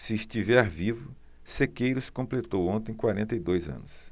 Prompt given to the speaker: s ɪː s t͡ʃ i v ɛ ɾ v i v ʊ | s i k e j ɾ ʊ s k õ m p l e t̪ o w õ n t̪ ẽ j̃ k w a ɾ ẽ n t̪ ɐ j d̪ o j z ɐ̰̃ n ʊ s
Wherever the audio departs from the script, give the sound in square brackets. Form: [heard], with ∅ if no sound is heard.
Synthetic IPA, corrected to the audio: s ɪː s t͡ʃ i v ɛ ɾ v i v ʊ | s [e] k e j ɾ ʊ s k õ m p l e t̪ o w õ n t̪ ẽ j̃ k w a ɾ ẽ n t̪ ɐ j d̪ o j z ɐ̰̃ n ʊ s